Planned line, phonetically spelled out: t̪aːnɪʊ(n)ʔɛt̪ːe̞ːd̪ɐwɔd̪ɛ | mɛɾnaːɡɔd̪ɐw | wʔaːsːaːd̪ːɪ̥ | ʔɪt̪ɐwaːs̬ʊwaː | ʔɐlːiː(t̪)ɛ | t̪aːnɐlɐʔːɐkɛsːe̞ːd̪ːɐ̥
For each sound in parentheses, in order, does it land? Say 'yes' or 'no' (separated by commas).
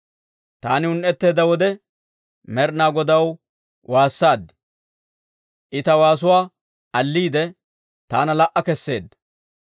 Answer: yes, no